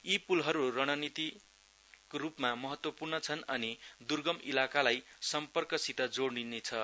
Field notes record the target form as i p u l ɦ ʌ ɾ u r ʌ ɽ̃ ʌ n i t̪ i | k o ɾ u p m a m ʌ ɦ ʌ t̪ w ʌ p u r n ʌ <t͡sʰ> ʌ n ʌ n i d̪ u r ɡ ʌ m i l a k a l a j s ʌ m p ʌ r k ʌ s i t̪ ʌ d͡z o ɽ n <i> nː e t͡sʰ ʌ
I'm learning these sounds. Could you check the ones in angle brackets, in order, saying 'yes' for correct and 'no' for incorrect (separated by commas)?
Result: yes, yes